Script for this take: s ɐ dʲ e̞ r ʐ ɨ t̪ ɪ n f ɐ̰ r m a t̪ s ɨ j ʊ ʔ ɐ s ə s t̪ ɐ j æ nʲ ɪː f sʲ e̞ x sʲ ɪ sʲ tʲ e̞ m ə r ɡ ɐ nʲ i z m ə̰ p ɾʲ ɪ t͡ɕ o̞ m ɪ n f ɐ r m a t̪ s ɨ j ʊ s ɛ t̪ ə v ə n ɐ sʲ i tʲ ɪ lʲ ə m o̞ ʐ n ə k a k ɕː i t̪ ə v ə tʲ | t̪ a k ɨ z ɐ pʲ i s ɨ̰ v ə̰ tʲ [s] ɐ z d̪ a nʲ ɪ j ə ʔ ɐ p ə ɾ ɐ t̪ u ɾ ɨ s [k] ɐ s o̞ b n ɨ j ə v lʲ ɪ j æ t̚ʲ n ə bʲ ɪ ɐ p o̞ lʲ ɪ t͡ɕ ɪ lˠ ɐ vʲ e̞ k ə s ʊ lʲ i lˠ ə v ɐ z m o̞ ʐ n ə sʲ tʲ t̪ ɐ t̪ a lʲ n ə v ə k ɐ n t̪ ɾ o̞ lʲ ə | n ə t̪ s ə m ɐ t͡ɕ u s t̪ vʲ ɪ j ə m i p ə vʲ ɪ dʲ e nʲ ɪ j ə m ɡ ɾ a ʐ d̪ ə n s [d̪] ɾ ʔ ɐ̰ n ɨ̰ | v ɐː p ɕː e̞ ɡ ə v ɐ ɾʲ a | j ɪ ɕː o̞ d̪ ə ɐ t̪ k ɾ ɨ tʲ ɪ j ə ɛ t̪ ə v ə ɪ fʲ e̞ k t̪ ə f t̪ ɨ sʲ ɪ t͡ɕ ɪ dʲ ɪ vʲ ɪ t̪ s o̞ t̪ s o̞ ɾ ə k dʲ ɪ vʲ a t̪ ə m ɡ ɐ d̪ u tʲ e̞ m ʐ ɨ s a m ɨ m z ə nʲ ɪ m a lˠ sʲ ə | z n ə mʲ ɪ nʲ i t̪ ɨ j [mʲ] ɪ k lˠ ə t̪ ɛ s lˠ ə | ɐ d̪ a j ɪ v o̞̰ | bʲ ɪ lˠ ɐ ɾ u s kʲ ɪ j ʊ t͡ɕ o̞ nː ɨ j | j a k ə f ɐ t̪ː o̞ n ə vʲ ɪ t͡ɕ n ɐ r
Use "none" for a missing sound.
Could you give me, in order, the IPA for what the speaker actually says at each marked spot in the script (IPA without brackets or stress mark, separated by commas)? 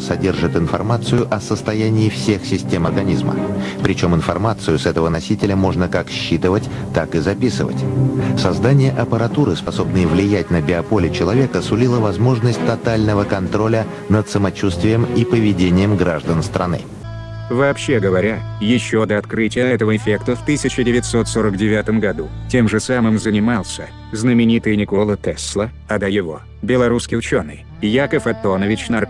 s, p, t̪, nʲ